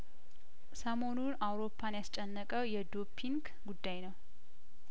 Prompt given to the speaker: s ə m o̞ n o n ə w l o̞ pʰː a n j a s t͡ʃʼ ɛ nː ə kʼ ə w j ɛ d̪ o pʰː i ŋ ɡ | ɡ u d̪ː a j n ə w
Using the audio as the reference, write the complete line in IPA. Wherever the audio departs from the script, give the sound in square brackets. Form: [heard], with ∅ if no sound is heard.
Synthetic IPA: s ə m o̞ n [u] n [a] w [ɾ] o̞ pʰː a n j a s t͡ʃʼ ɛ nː ə kʼ ə w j ɛ d̪ o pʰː i ŋ ɡ | ɡ u d̪ː a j n ə w